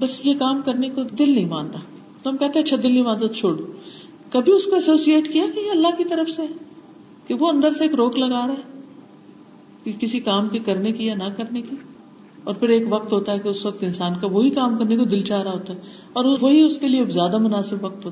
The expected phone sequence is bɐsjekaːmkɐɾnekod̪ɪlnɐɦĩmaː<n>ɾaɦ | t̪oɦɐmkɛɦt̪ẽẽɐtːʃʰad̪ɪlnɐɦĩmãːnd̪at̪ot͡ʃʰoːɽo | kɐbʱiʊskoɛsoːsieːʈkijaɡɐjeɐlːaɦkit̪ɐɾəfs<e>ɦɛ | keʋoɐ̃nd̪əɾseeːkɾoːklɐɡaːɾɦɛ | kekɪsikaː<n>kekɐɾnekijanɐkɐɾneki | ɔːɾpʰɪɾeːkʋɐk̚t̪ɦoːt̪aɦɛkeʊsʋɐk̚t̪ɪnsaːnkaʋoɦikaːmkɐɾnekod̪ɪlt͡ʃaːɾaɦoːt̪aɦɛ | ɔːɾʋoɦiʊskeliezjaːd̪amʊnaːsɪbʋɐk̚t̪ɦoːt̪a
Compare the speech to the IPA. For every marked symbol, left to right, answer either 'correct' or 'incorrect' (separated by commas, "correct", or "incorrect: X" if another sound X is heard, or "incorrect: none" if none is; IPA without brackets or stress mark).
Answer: correct, correct, incorrect: m